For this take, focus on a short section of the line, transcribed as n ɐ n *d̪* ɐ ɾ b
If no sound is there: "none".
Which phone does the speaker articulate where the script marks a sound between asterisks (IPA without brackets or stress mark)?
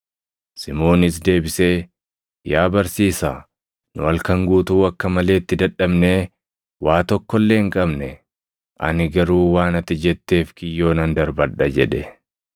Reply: d̪